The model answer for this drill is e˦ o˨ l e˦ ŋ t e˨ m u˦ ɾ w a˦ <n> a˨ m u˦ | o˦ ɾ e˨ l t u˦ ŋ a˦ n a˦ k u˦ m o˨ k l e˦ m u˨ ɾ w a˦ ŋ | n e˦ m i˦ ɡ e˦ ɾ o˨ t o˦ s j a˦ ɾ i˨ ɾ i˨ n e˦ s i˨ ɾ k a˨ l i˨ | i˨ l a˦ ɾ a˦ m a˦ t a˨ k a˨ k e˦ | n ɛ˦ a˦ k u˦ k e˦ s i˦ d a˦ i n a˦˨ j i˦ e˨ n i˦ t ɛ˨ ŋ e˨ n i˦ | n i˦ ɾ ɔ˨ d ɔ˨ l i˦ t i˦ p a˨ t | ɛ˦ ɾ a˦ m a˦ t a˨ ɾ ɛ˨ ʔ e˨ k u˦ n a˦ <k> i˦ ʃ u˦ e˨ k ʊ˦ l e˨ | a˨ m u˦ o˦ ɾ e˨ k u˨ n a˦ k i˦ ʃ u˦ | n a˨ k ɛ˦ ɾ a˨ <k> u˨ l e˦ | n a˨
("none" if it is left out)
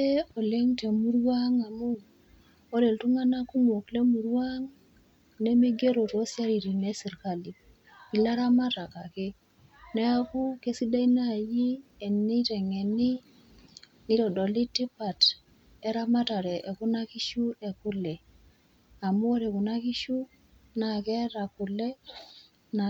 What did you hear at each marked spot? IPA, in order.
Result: ŋ, k, k

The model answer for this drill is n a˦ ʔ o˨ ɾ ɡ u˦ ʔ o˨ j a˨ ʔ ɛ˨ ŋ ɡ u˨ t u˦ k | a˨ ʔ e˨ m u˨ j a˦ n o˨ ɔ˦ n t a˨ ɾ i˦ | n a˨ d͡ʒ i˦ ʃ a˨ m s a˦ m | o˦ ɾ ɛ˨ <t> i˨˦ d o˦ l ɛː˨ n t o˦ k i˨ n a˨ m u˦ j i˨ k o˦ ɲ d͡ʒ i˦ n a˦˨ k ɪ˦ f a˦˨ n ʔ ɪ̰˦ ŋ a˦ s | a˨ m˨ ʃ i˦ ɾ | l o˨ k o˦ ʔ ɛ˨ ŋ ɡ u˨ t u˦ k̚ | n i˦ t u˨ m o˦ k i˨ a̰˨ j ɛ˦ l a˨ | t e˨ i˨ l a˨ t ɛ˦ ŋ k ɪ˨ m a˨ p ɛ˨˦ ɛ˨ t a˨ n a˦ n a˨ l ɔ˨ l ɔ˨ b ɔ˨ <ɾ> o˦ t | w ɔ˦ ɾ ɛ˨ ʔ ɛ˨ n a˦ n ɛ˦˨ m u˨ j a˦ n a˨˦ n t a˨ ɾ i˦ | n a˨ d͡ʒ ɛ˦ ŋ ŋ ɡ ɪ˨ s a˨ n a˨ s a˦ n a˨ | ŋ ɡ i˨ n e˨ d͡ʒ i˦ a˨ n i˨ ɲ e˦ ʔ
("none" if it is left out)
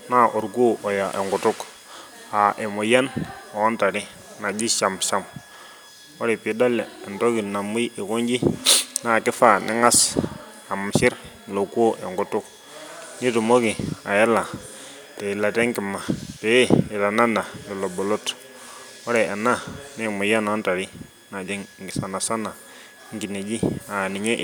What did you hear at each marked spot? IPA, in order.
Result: p, l

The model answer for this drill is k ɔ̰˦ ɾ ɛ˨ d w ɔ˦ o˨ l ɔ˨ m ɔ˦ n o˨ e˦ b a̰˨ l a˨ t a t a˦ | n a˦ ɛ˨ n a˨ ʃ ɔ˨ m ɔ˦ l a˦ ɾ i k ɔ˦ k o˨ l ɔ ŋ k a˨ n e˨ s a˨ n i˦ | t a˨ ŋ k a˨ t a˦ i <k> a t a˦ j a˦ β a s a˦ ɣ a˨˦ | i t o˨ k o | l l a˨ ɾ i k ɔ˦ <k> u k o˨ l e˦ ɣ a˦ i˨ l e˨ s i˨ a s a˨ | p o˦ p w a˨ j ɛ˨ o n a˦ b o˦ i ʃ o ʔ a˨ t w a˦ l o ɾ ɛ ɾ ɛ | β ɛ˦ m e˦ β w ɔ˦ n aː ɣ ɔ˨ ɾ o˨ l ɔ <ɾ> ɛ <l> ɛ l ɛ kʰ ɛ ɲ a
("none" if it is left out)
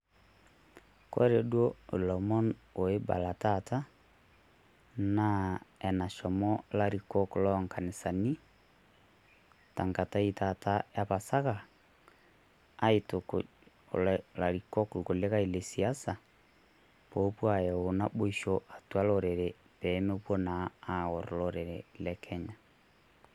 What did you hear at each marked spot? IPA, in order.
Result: t, k, ɾ, ɾ

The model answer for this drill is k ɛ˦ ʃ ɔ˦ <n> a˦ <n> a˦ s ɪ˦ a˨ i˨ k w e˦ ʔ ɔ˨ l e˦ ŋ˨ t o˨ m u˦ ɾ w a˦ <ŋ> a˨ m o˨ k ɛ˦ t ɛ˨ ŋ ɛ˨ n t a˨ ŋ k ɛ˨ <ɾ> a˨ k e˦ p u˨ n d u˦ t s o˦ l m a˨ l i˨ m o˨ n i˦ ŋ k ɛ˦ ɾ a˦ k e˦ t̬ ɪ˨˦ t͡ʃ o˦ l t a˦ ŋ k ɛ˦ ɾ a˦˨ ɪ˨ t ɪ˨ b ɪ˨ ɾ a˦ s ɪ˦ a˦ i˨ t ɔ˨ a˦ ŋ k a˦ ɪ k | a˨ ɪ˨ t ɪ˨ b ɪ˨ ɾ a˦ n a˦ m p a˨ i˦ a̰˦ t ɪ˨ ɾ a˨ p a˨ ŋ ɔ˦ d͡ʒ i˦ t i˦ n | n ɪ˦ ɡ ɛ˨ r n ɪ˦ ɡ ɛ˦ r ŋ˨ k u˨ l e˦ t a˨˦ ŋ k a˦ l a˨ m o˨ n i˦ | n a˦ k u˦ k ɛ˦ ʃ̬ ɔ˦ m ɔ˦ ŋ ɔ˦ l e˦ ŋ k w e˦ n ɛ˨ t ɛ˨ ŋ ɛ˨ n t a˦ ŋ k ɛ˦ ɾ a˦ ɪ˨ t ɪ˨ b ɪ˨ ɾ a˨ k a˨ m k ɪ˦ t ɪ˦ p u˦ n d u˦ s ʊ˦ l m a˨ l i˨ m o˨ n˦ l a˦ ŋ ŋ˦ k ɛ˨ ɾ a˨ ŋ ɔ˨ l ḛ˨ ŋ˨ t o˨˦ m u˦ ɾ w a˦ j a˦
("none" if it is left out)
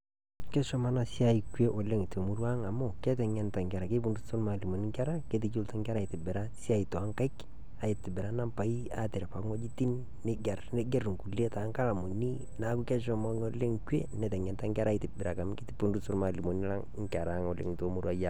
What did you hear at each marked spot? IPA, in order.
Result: m, n, ŋ, ɾ

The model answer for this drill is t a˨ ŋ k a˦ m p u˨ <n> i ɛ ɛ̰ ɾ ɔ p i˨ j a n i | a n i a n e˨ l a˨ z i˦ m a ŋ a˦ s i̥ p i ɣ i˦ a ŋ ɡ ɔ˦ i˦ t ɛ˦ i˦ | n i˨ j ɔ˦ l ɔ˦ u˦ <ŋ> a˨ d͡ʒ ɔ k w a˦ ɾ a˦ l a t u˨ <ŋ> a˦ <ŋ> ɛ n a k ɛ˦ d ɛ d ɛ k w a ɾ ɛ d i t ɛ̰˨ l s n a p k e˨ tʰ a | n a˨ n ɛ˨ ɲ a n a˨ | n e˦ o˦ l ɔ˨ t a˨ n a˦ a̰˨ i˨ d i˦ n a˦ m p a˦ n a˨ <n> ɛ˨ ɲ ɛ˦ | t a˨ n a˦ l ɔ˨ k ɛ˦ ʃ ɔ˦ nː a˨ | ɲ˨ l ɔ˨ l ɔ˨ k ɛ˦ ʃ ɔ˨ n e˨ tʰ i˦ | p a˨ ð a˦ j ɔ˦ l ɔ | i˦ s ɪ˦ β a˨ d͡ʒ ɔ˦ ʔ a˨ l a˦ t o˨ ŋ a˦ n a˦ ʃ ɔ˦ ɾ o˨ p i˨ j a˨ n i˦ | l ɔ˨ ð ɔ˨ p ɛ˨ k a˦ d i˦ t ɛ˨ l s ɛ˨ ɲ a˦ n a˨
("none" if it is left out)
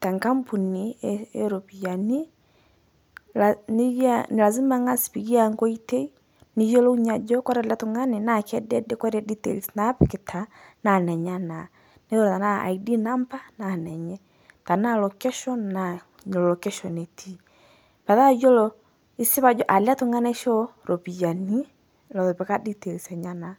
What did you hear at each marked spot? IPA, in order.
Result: n, ɲ, ŋ, n, n

